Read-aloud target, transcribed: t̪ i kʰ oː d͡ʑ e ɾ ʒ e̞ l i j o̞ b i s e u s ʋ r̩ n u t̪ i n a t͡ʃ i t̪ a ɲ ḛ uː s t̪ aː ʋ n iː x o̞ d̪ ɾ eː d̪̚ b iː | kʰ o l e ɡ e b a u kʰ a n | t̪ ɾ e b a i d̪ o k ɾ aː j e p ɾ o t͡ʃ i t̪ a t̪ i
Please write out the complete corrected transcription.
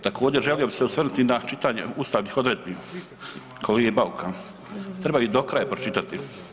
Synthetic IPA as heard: t̪ a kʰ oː d͡ʑ e ɾ ʒ e̞ l i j o̞ b i s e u s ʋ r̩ n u t̪ i n a t͡ʃ i t̪ a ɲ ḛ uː s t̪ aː ʋ n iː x o̞ d̪ ɾ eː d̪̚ b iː | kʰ o l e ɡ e b a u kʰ a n | t̪ ɾ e b a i d̪ o k ɾ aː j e p ɾ o t͡ʃ i t̪ a t̪ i